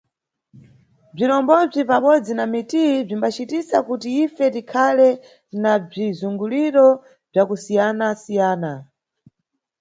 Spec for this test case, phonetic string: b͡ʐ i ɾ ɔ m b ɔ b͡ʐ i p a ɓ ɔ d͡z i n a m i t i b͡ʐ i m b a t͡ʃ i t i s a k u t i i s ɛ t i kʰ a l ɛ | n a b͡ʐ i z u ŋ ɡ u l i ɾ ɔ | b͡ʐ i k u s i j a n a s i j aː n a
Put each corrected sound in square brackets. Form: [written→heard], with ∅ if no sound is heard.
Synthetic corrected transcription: b͡ʐ i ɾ ɔ m b ɔ b͡ʐ i p a ɓ ɔ d͡z i n a m i t i b͡ʐ i m b a t͡ʃ i t i s a k u t i i [s→f] ɛ t i kʰ a l ɛ | n a b͡ʐ i z u ŋ ɡ u l i ɾ ɔ | b͡ʐ [i→a] k u s i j a n a s i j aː n a